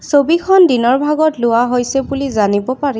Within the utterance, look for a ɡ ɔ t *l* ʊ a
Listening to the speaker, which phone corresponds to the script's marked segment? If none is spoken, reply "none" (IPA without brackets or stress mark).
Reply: l